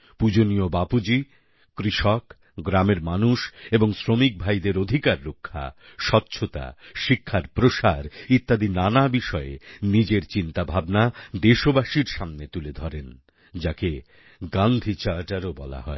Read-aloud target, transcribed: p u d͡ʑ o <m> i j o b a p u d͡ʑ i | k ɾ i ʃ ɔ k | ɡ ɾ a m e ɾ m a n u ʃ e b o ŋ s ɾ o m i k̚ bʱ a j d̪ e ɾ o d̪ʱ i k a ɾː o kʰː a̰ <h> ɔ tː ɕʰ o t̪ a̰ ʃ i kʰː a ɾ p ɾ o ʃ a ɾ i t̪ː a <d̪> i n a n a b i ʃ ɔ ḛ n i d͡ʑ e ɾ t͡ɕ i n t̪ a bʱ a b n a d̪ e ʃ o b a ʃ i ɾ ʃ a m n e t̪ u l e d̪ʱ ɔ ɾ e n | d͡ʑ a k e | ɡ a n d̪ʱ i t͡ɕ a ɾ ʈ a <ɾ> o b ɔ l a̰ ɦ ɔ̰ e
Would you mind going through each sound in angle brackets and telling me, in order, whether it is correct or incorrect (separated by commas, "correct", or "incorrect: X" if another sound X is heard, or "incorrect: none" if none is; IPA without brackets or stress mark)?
incorrect: n, incorrect: ʃ, correct, correct